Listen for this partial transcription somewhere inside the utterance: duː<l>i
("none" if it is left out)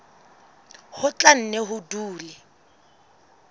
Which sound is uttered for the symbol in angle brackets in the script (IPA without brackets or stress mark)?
l